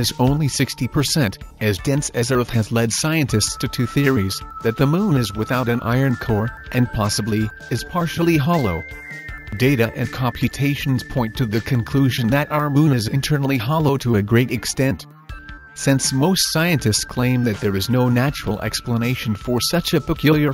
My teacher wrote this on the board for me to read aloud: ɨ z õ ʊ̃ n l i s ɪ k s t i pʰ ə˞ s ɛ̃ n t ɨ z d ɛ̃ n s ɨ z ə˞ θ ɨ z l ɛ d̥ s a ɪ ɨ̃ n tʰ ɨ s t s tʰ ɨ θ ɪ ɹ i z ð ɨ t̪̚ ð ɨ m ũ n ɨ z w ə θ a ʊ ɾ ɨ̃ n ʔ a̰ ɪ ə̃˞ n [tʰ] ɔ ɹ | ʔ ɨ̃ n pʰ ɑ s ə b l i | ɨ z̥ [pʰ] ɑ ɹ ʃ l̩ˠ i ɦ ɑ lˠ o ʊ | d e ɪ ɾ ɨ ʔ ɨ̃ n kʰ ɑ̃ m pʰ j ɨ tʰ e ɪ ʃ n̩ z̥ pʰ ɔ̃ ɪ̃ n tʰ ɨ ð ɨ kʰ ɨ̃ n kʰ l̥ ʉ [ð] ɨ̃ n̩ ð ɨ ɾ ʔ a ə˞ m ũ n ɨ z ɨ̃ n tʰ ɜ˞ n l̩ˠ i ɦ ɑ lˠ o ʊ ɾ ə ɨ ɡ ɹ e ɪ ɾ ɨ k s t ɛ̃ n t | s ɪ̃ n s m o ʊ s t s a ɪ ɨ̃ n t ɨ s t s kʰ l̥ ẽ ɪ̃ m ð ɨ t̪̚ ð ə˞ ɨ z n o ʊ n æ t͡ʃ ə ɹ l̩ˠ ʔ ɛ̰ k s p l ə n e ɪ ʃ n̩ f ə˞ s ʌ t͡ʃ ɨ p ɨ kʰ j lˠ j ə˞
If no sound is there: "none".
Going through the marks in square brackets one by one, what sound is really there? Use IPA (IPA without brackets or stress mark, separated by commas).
kʰ, pʰ, ʒ